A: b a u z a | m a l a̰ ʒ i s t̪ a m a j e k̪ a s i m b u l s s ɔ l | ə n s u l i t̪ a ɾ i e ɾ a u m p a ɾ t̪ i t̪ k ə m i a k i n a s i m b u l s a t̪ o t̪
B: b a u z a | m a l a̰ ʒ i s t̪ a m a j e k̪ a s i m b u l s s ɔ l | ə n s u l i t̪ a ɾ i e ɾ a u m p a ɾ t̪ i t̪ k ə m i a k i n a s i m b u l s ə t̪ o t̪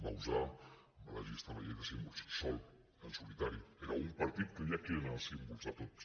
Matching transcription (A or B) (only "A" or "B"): A